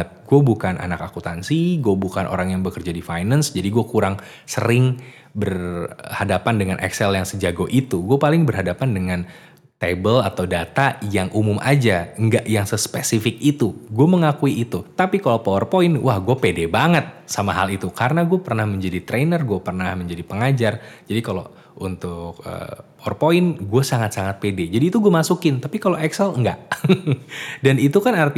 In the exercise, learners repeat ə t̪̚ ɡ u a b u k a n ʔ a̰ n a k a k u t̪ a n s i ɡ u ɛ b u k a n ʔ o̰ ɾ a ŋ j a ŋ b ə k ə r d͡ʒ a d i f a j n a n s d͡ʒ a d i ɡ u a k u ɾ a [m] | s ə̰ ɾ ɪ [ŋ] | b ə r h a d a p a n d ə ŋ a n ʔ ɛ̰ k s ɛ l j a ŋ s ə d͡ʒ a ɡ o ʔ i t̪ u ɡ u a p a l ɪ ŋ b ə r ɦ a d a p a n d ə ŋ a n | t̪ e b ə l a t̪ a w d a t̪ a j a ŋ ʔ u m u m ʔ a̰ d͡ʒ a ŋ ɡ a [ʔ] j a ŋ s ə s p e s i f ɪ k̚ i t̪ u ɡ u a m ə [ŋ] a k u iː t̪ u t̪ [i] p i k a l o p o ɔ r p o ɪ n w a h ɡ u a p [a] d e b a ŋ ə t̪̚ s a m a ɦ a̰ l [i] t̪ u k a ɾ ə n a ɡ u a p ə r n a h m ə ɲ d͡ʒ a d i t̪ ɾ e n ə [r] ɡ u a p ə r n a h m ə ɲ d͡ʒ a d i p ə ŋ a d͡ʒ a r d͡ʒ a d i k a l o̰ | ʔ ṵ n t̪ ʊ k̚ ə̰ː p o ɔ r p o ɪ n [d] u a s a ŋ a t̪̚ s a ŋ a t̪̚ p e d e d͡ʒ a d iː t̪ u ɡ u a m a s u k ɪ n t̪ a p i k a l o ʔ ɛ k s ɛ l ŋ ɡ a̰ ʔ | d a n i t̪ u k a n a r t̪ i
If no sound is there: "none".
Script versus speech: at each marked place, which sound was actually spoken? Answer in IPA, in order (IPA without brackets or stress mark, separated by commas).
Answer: ŋ, ŋ, ʔ, ŋ, a, e, i, r, ɡ